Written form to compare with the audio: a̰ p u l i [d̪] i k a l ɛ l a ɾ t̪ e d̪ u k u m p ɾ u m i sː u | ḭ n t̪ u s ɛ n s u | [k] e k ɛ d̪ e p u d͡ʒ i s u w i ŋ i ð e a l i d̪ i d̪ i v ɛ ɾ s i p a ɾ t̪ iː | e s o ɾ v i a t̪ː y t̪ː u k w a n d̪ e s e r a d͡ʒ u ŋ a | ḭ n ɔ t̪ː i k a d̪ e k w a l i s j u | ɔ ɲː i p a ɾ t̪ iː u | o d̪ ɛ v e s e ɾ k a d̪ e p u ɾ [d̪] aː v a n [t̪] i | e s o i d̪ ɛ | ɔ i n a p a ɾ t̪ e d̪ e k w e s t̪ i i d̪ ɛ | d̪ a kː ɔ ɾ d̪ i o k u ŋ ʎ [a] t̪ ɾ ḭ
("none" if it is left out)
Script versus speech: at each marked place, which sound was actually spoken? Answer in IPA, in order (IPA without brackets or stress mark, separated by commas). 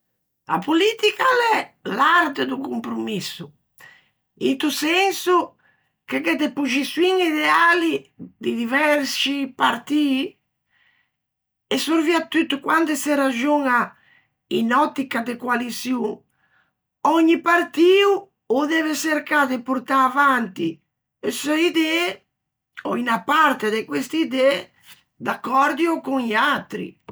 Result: t̪, k, t̪, t̪, a